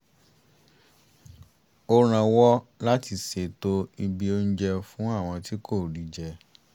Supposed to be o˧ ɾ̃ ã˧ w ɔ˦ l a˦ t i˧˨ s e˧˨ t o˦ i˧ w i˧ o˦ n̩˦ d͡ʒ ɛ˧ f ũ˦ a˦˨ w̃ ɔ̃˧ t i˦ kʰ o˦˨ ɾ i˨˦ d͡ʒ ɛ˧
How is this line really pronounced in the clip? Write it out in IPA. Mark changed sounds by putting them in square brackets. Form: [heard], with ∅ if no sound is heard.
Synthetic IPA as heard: o˧ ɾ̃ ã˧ w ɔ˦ l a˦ t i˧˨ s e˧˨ t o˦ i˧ [b] i˧ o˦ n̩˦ d͡ʒ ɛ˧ f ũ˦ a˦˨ w̃ ɔ̃˧ t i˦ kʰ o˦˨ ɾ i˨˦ d͡ʒ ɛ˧